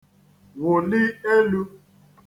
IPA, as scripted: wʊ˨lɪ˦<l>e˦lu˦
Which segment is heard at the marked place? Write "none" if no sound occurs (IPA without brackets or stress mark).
none